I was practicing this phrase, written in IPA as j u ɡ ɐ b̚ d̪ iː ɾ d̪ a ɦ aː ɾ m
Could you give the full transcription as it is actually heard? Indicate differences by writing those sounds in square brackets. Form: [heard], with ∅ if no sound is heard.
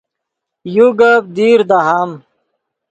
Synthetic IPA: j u ɡ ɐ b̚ d̪ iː ɾ d̪ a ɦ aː [∅] m

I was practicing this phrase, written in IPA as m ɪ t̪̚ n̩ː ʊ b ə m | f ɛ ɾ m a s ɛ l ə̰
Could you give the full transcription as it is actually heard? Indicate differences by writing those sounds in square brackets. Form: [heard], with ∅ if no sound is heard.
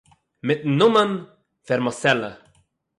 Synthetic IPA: m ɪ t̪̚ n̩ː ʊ [m] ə [n] | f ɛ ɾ m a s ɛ l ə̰

